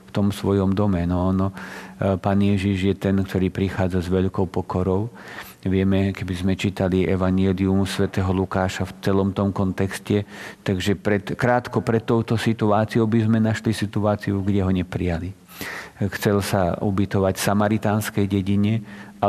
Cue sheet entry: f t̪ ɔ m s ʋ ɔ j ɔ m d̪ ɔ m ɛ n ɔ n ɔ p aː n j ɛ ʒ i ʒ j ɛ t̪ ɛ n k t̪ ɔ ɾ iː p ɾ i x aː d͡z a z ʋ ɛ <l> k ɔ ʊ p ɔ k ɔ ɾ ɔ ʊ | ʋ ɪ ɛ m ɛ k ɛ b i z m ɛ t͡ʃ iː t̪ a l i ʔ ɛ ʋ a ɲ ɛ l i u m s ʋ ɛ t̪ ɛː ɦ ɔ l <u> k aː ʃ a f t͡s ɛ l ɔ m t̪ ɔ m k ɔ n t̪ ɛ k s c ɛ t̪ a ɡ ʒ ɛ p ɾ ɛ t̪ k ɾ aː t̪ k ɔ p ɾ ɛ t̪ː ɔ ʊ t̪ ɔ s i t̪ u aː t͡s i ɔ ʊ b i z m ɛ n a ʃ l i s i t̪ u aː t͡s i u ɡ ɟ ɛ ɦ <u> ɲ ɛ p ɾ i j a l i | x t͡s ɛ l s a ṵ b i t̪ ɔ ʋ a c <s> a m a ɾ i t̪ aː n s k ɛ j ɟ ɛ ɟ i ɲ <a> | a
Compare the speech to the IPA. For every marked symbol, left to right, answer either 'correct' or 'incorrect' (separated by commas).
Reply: incorrect, correct, incorrect, correct, incorrect